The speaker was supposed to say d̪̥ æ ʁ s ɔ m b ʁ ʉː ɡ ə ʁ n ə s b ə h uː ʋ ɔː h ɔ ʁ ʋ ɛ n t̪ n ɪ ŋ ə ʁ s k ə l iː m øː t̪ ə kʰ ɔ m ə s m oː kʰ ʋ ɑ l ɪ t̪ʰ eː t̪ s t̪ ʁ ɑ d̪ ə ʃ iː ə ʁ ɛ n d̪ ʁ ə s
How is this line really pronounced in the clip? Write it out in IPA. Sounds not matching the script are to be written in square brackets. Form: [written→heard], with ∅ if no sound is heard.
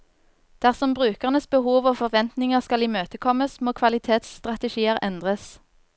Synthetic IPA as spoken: d̪̥ æ ʁ s ɔ m b ʁ ʉː [ɡ→k] ə ʁ n ə s b ə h uː ʋ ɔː [h→f] ɔ ʁ ʋ ɛ n t̪ n ɪ ŋ ə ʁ s k [ə→ɑ] l iː m øː t̪ ə kʰ ɔ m ə s m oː kʰ ʋ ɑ l ɪ t̪ʰ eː t̪ s t̪ ʁ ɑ [d̪→t̪] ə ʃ iː ə ʁ ɛ n d̪ ʁ ə s